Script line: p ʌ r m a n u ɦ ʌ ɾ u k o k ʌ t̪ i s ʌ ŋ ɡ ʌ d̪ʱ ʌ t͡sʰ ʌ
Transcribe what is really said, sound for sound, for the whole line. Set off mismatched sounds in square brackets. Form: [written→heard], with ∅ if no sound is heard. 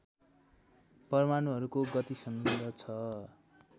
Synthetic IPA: p ʌ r m a n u ɦ ʌ ɾ u k o [k→ɡ] ʌ t̪ i s ʌ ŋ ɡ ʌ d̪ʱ ʌ t͡sʰ ʌ